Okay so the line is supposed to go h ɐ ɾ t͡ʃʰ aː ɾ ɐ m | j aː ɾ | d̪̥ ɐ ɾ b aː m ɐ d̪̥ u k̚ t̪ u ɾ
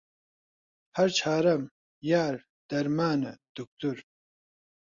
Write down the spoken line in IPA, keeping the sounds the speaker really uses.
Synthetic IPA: h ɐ ɾ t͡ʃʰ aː ɾ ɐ m | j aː ɾ | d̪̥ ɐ ɾ m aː n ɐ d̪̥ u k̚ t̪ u ɾ